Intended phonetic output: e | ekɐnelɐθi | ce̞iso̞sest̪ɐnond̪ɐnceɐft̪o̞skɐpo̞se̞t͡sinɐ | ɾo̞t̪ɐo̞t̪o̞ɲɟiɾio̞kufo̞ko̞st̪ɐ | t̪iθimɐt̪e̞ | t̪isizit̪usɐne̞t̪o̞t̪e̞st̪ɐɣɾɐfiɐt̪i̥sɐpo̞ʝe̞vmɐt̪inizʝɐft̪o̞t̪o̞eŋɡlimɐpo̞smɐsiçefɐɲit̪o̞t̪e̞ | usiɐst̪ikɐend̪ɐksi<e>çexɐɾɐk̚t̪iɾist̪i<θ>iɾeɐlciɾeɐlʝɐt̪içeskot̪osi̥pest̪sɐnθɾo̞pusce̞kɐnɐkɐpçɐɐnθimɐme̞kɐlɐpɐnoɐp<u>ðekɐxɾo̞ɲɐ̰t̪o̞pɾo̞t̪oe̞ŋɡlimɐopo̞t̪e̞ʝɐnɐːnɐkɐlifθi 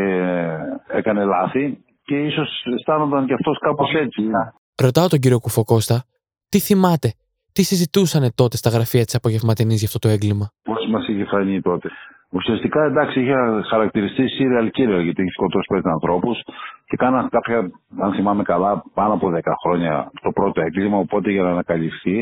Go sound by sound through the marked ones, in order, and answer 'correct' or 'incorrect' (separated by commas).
incorrect, incorrect, incorrect